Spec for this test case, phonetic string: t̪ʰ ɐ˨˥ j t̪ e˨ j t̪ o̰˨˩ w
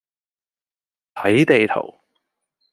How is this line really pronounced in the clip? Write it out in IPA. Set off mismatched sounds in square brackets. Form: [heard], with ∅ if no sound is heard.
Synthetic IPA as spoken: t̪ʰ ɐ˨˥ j t̪ e˨ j [t̪ʰ] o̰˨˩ w